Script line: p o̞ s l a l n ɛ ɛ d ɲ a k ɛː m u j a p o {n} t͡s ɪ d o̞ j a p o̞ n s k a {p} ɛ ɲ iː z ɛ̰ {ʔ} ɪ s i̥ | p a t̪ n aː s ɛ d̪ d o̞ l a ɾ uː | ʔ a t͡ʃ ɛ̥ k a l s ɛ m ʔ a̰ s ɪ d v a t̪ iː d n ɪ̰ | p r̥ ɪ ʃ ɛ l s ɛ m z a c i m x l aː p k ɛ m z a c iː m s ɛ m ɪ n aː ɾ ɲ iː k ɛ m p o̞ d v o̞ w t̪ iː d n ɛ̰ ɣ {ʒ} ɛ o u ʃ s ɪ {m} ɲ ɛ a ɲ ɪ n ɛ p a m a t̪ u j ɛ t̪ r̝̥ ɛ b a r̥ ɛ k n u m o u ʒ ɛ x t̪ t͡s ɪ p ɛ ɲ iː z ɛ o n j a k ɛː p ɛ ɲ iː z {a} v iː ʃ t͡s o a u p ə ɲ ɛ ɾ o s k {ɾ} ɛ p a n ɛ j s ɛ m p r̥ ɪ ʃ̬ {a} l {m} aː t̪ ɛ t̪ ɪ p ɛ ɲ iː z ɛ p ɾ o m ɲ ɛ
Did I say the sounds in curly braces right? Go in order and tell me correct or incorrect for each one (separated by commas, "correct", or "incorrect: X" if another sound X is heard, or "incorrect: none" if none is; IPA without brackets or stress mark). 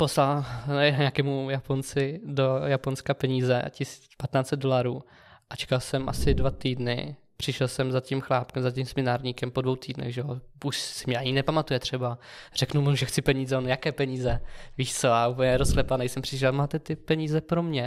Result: correct, correct, incorrect: c, correct, correct, incorrect: ɛ, incorrect: l, incorrect: ɛ, correct